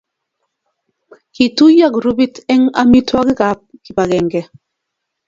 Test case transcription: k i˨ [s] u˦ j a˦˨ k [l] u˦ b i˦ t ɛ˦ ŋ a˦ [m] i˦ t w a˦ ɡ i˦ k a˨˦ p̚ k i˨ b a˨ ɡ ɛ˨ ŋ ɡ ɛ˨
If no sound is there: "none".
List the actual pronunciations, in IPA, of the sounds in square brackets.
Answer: t, ɾ, m

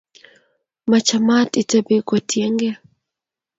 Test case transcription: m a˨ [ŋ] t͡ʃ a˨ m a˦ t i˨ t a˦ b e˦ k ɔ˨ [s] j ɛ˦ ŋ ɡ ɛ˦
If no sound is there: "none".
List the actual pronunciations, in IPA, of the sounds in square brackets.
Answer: none, t

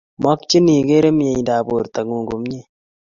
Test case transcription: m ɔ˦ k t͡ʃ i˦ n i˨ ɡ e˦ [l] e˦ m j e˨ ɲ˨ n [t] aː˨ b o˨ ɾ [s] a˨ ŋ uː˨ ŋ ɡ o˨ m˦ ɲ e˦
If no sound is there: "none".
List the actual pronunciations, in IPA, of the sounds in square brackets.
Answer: ɾ, d, t

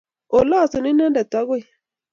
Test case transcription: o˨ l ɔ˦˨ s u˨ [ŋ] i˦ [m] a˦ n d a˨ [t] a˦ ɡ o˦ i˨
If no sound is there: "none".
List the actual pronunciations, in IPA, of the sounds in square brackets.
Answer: n, n, t

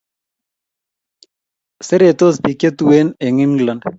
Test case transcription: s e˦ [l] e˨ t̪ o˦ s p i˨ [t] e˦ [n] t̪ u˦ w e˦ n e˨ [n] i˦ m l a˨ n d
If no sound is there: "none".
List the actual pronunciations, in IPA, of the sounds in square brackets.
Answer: ɾ, k, none, ŋ

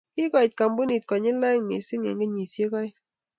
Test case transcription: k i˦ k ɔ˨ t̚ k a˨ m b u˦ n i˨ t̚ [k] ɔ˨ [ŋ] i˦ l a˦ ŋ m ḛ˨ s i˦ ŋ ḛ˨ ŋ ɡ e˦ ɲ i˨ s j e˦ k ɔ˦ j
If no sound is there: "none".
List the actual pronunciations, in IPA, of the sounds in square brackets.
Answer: k, ɲ

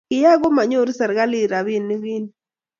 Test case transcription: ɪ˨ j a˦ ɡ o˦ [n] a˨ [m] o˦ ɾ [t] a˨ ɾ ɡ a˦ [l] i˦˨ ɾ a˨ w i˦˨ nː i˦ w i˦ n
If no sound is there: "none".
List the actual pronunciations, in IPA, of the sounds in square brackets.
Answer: m, ɲ, s, l

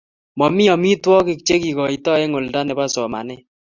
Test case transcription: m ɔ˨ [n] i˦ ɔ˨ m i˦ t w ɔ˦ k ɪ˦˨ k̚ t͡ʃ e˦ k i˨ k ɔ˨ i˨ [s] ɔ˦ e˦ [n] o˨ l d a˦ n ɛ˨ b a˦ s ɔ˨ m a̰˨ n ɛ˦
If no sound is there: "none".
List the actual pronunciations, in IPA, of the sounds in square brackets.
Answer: m, t, ŋ

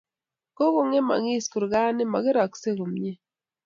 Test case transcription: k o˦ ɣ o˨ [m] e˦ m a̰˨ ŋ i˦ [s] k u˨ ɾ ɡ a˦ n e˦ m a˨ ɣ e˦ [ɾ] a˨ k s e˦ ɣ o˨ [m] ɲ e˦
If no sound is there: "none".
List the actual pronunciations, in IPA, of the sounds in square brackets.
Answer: ŋ, s, ɾ, m

